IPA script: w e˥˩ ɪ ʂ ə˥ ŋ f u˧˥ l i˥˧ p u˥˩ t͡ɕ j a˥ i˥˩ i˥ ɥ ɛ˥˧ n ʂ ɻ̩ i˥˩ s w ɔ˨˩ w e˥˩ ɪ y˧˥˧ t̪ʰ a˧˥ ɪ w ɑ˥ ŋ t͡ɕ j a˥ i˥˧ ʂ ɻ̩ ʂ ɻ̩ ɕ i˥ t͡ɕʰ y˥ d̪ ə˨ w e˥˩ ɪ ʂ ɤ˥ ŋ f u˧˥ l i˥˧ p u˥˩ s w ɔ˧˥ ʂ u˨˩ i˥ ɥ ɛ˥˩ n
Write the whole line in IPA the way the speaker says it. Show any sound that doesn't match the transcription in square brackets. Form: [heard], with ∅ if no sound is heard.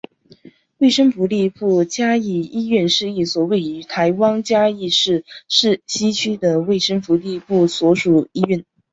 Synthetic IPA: w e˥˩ ɪ ʂ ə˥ ŋ f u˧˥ l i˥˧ p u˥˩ t͡ɕ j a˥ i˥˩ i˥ ɥ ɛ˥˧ n ʂ ɻ̩ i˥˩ s w ɔ˨˩ w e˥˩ ɪ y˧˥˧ t̪ʰ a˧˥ ɪ w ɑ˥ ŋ t͡ɕ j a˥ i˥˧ ʂ ɻ̩ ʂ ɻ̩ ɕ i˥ t͡ɕʰ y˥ d̪ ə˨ w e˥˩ ɪ ʂ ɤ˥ ŋ f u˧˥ l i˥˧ p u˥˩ s w ɔ˧˥ ʂ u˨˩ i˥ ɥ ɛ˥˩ n